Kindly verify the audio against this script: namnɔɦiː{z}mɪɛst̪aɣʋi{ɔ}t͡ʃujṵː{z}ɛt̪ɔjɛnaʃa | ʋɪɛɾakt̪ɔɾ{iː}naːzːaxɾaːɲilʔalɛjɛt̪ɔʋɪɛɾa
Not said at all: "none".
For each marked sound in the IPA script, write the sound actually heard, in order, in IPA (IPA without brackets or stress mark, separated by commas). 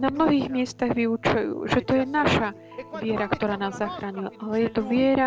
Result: ɣ, u, ʒ, aː